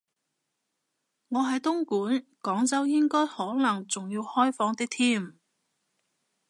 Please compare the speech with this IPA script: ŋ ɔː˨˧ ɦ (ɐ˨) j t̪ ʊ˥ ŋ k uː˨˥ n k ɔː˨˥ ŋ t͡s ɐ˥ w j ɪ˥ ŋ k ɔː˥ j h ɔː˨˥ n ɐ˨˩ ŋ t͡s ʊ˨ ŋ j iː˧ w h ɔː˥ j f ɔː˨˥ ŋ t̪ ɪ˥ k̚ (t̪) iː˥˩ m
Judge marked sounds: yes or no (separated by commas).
yes, no